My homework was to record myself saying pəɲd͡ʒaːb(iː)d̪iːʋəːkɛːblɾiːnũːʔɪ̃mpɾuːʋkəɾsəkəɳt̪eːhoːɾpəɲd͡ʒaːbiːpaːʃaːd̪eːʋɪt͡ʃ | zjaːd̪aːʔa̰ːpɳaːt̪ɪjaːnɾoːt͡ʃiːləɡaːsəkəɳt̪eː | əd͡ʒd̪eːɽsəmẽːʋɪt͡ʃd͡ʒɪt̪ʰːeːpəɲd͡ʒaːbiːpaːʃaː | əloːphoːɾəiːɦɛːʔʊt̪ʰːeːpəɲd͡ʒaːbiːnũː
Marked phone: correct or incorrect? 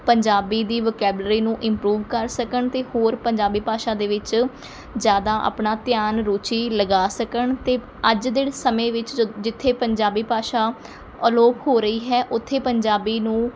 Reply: correct